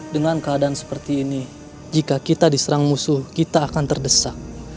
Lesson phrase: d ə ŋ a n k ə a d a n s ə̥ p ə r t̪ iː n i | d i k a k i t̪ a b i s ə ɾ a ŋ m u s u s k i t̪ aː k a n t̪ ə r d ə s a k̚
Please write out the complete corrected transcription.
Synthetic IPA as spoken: d ə ŋ a n k ə a d a n s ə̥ p ə r t̪ iː n i | d͡ʒ i k a k i t̪ a d i s ə ɾ a ŋ m u s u h k i t̪ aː k a n t̪ ə r d ə s a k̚